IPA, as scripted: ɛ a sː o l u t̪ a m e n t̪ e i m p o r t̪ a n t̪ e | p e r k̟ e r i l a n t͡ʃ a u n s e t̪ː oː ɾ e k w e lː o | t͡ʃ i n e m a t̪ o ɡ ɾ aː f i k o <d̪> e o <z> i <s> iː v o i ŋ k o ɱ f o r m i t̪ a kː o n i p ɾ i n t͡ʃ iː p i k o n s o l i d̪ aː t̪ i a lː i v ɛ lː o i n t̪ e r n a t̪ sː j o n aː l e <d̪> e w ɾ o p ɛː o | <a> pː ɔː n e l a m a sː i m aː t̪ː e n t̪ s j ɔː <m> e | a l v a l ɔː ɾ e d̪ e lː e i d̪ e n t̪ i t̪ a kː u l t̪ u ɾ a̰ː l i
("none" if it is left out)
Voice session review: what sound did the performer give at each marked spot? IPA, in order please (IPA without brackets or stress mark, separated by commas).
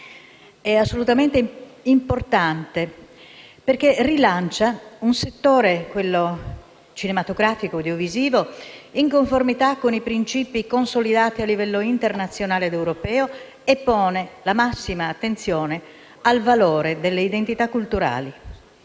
d̪, v, z, d̪, e, n